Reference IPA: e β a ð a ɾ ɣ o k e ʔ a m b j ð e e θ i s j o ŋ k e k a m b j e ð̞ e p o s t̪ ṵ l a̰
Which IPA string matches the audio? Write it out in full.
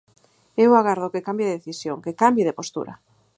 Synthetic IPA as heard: e w a ɣ a ɾ ð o k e k a m b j ð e e θ i s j o ŋ k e k a m b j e ð̞ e p o s t̪ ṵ ɾ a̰